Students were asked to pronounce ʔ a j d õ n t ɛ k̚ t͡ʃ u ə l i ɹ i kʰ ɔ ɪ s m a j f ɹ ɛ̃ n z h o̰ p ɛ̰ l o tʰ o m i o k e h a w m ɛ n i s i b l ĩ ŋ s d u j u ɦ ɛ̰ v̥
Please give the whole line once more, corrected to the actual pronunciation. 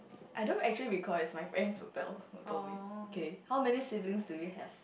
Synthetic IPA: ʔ a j d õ n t ɛ k̚ t͡ʃ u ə l i ɹ i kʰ ɔ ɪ s m a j f ɹ ɛ̃ n s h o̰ t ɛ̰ l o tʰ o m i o k e h a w m ɛ n i s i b l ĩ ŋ s d u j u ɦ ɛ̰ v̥